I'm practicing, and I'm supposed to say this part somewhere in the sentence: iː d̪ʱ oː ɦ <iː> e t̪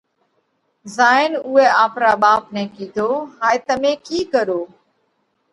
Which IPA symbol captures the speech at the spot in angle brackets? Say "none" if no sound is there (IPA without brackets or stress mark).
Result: aː